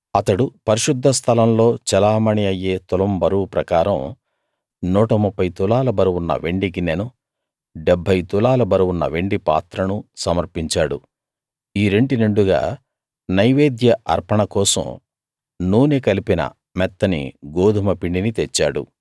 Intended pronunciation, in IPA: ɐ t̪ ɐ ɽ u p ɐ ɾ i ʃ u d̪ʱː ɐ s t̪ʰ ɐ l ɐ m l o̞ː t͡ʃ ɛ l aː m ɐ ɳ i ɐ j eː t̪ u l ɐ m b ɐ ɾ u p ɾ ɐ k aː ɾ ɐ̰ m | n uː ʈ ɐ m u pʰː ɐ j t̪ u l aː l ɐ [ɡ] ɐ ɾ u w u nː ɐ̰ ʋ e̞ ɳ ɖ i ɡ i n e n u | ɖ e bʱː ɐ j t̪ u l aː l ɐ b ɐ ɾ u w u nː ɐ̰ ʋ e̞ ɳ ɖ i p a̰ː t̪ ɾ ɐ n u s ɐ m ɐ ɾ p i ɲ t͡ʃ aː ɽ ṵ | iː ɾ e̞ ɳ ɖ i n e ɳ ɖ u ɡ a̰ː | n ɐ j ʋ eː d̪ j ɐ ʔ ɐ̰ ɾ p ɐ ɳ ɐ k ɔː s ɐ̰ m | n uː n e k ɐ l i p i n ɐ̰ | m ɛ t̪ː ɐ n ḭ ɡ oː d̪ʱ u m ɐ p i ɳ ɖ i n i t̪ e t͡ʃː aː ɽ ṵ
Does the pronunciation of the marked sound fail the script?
yes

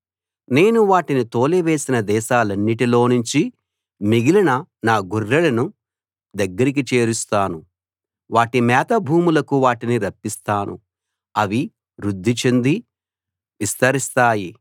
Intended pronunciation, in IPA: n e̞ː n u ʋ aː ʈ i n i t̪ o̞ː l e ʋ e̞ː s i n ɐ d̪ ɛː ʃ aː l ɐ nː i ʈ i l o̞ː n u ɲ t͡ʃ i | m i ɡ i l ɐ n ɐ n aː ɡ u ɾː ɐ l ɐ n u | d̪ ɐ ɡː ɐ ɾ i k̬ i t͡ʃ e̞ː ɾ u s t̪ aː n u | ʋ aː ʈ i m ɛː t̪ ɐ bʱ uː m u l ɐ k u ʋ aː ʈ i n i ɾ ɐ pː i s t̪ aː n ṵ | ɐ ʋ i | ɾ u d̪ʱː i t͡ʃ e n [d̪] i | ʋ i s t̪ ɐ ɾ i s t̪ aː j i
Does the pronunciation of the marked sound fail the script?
no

